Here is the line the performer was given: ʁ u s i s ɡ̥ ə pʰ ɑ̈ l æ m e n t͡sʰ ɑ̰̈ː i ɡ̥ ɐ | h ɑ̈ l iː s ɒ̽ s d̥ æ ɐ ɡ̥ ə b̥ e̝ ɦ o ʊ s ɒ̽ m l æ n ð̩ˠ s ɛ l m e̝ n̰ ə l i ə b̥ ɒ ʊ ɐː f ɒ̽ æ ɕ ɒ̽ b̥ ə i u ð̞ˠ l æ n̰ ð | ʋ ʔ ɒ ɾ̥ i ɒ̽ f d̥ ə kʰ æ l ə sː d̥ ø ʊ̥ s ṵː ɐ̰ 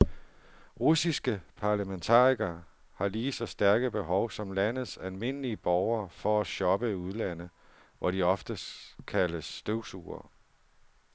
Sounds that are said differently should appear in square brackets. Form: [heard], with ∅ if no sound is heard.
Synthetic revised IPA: ʁ u s i s ɡ̥ ə pʰ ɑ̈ l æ m e n t͡sʰ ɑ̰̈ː i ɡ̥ ɐ | h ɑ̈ l iː s ɒ̽ s d̥ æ ɐ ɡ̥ ə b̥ e̝ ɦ [ɒ] ʊ s ɒ̽ m l æ n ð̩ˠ s [æ] l m e̝ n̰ ə l i ə b̥ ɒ ʊ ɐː f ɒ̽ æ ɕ ɒ̽ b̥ ə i u ð̞ˠ l æ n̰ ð | ʋ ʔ ɒ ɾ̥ i ɒ̽ f d̥ ə kʰ æ l ə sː d̥ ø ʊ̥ s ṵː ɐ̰